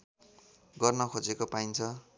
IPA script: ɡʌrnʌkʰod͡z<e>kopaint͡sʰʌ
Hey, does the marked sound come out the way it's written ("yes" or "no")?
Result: yes